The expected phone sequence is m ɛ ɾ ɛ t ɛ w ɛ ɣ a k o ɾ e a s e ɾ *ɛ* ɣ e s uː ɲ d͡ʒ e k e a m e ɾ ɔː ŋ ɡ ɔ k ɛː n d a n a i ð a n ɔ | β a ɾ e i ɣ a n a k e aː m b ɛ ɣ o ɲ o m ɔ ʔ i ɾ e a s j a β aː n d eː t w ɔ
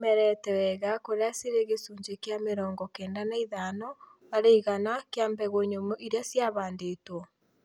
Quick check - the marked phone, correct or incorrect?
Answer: incorrect: e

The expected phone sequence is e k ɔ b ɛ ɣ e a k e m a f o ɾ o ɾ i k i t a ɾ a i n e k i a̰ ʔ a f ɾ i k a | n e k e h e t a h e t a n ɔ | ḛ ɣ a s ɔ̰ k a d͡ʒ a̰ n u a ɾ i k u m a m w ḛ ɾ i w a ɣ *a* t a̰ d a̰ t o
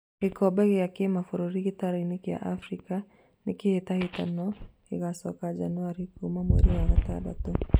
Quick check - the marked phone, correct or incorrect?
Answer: correct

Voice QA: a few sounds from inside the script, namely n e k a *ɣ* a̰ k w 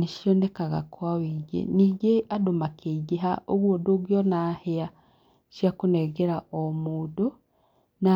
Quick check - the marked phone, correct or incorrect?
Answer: correct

